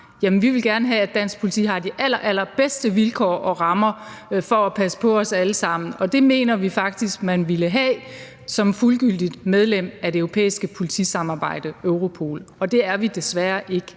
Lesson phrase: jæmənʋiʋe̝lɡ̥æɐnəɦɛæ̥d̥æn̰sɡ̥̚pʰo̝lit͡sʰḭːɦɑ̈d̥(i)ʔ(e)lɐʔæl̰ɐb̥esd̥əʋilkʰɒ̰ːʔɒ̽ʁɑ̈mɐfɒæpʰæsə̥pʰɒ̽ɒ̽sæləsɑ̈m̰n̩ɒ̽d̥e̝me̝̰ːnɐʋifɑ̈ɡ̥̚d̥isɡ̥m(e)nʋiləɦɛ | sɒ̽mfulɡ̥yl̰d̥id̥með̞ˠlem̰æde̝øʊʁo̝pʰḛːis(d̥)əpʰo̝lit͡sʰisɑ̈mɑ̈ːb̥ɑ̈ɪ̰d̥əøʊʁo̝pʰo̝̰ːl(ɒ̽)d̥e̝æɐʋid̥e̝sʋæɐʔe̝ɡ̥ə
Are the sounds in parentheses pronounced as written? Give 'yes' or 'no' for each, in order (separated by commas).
yes, no, no, no, yes